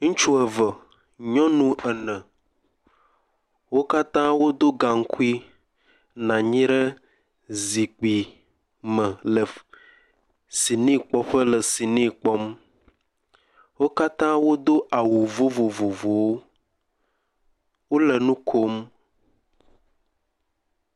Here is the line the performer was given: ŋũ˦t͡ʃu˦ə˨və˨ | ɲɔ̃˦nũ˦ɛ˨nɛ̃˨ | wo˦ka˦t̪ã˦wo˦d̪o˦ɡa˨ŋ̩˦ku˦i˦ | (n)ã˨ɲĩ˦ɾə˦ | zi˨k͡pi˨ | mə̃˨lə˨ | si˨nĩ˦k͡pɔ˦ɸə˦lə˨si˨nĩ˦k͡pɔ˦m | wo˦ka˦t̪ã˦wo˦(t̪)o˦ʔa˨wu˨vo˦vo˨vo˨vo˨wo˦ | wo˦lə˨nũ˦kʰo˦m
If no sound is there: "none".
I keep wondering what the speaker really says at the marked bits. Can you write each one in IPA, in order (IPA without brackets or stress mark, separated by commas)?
n, d̪